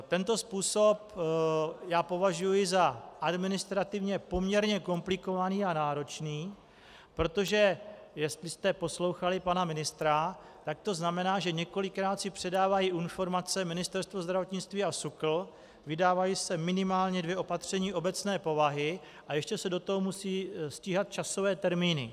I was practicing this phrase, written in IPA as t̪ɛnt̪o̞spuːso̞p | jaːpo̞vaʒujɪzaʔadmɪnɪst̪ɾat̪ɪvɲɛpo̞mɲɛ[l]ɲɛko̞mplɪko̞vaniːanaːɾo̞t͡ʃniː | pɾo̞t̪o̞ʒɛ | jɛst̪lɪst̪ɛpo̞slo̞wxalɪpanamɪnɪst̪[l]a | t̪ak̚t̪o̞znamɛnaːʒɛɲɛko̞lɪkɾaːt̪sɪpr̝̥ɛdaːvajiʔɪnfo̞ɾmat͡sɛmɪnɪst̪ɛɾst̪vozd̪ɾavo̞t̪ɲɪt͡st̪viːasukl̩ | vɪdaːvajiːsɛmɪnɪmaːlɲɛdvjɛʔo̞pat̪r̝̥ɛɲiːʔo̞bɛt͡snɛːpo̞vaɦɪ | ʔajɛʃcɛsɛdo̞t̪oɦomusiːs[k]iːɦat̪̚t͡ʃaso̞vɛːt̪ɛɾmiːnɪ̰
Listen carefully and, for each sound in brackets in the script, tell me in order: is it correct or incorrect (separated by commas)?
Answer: incorrect, incorrect, incorrect